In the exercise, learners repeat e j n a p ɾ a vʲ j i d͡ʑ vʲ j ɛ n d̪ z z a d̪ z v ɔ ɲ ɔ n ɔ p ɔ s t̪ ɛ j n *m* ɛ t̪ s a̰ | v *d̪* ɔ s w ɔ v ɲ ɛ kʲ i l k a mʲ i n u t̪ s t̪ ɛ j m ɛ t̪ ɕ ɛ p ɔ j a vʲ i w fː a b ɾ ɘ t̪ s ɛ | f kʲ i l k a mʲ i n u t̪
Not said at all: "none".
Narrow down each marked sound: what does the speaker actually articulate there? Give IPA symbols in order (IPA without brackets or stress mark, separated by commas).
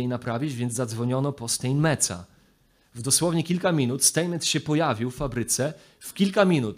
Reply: m, d̪